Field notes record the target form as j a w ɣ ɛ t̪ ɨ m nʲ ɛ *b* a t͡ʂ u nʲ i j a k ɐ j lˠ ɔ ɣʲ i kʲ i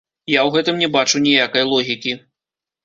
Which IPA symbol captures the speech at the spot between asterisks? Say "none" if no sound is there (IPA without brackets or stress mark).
b